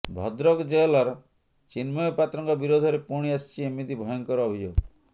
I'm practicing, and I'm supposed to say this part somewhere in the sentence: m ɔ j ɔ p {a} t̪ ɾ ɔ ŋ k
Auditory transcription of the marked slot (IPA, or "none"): a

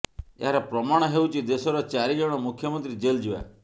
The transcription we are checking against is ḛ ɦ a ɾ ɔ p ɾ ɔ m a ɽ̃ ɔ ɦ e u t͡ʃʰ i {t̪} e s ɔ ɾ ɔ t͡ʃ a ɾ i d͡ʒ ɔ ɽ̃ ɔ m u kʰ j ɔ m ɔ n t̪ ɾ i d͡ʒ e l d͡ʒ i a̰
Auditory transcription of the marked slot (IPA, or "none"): d̪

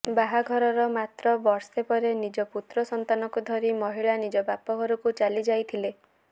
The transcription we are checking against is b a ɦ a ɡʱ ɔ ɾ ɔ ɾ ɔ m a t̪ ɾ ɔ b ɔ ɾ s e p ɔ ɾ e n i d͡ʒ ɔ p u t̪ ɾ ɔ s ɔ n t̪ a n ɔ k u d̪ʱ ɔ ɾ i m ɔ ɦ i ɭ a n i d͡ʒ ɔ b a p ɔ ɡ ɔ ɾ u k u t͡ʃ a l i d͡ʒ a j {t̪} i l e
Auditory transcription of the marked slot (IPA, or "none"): t̪ʰ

